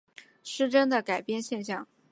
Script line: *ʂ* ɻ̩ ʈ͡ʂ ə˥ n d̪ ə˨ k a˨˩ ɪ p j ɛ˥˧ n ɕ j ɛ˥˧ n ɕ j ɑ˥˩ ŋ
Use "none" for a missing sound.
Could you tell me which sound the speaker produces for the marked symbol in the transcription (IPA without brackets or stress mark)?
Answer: ʂ